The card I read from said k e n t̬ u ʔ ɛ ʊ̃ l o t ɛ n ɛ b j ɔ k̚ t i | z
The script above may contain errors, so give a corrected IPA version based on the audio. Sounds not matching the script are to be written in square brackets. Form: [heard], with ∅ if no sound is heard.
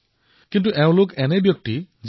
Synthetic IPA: k [i] n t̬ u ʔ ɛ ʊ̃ l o [k] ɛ n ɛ b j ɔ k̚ t i | z